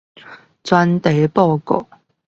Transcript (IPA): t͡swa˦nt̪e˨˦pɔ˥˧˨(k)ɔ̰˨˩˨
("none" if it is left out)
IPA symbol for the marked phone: k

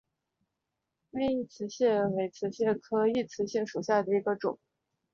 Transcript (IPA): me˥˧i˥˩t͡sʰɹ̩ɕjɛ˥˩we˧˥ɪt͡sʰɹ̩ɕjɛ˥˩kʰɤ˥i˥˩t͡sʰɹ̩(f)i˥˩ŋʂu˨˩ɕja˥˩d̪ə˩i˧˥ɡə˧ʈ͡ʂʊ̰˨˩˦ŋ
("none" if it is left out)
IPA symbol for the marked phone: ɕ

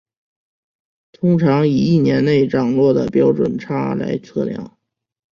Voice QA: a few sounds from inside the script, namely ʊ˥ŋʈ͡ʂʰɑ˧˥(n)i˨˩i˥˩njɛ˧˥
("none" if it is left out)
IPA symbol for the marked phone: ŋ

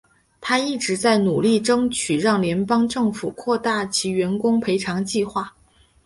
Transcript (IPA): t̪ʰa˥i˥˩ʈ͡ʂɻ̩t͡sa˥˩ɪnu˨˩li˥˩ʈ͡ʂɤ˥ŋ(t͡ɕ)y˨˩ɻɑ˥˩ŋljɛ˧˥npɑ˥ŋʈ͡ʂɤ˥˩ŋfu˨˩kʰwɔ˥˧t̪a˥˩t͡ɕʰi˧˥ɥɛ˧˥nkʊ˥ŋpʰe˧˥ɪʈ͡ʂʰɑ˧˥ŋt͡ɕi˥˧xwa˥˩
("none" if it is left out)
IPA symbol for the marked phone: t͡ɕʰ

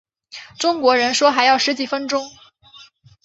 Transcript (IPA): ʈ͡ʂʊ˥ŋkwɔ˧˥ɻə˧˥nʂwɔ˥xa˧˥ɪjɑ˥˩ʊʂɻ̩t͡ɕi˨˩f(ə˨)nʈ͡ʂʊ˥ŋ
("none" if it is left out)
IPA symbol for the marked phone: ə˥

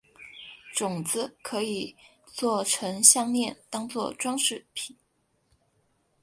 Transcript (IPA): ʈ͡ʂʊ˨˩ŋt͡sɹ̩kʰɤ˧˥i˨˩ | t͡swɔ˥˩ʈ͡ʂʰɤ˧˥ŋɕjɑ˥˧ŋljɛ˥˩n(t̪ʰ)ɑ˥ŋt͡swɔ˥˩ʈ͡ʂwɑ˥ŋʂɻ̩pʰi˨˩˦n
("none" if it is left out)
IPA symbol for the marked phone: t̪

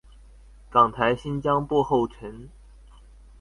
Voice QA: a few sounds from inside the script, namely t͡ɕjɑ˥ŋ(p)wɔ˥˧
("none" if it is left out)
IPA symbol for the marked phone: p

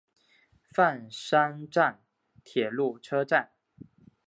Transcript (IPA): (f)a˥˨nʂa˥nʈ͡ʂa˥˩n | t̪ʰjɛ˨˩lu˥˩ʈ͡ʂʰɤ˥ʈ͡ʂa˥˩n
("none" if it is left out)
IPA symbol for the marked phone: f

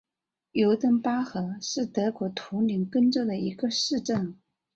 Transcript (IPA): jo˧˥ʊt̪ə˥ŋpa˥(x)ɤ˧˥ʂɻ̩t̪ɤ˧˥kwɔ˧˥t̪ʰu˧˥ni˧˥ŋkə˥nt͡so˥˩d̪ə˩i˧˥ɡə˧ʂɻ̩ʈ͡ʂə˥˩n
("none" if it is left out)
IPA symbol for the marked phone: x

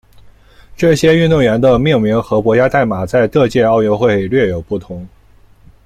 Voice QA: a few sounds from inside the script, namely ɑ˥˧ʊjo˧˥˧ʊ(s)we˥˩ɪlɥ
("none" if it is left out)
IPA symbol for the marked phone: x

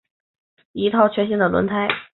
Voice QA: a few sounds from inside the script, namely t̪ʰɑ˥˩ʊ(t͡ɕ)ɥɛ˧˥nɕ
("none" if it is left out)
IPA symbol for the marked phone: t͡ɕʰ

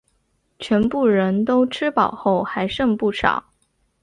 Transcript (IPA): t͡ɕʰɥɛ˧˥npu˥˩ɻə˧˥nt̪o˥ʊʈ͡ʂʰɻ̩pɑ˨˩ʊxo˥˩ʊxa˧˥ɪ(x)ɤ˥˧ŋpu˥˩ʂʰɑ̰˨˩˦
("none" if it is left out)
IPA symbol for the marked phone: ʂ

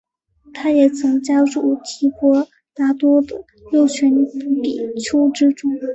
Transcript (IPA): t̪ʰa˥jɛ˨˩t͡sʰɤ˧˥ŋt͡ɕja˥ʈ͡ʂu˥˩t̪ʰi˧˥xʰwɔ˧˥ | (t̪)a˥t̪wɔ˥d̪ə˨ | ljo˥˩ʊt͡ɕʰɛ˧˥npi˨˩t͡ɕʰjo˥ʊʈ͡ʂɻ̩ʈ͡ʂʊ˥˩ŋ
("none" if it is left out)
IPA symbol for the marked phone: t̪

